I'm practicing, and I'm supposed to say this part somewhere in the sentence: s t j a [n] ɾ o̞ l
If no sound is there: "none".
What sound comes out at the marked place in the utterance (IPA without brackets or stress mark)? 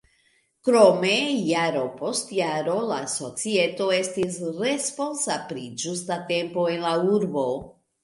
none